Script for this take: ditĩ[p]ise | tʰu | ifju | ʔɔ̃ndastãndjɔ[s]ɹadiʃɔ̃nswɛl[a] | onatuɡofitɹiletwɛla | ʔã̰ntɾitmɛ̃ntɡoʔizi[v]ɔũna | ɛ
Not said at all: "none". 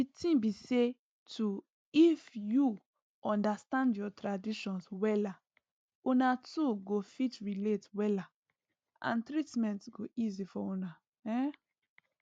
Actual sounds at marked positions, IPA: b, t, a, f

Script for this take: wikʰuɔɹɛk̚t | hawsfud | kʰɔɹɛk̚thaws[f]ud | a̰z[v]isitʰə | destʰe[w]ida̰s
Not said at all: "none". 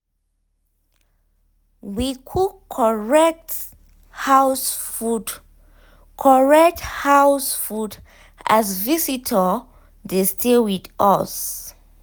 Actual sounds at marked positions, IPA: f, v, w

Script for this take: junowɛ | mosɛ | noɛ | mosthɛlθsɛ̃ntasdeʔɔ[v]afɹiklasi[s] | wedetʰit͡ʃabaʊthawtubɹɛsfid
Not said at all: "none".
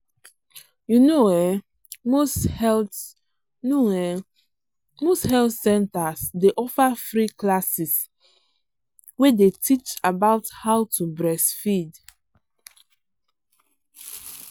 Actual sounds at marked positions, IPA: f, s

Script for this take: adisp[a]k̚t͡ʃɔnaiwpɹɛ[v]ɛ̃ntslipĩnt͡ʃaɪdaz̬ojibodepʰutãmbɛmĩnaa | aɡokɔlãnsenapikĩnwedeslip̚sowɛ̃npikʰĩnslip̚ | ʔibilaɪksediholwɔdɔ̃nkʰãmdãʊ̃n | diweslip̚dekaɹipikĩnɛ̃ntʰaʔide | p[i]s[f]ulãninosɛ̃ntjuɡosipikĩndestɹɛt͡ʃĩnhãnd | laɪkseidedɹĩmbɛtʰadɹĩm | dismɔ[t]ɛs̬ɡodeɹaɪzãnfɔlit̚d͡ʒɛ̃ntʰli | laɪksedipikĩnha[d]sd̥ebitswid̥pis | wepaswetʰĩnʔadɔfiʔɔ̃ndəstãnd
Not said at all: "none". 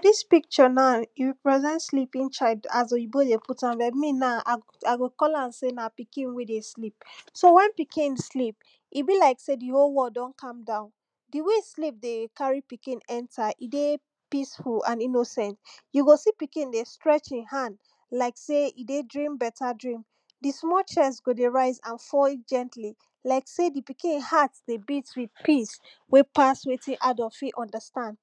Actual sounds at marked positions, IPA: i, z, i, f, t͡ʃ, t

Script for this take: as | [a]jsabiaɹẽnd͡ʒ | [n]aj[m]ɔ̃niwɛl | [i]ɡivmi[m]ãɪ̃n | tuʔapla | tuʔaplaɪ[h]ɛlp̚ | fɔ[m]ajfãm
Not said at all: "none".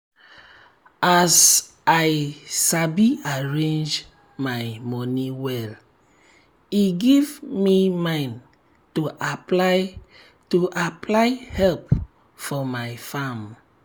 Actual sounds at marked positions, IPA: a, m, m, i, m, h, m

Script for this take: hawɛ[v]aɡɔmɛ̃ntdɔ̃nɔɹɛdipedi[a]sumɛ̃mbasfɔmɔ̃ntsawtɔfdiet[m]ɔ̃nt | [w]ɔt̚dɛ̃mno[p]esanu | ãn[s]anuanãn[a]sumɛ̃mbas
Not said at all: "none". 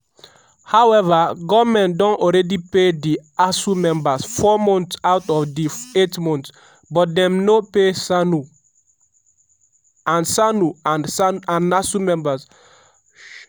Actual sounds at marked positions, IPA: v, a, m, b, p, s, a

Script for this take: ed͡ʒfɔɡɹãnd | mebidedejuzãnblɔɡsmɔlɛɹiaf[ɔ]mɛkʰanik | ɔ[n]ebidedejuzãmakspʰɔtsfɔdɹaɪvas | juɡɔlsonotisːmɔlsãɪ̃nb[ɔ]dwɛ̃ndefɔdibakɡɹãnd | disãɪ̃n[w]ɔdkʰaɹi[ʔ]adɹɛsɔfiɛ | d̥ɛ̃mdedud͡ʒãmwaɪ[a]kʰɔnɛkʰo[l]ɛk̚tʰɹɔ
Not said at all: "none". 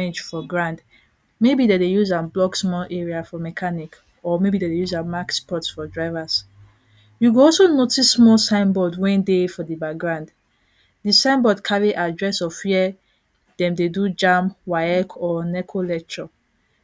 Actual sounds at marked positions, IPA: ɔ, m, ɔ, b, ʔ, ɛ, l

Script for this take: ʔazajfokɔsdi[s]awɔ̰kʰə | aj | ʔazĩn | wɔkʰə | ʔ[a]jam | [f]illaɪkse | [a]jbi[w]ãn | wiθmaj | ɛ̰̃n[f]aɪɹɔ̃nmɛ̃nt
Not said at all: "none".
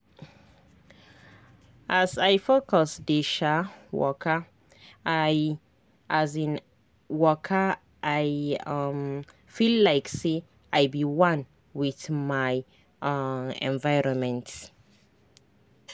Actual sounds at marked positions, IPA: ʃ, a, f, a, w, v

